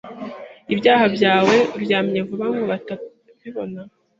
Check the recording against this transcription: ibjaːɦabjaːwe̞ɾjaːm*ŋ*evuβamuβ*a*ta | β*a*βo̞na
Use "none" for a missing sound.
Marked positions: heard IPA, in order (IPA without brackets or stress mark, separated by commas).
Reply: ɲ, a, i